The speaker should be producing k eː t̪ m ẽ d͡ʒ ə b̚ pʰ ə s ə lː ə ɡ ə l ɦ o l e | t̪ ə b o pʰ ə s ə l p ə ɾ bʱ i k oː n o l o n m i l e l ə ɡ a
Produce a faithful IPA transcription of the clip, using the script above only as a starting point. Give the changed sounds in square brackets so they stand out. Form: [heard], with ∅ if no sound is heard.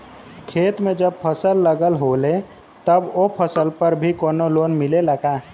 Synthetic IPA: [kʰ] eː t̪ m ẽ d͡ʒ ə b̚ pʰ ə s ə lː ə ɡ ə l ɦ o l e | t̪ ə b o pʰ ə s ə l p ə ɾ bʱ i k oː n o l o n m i l e l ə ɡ a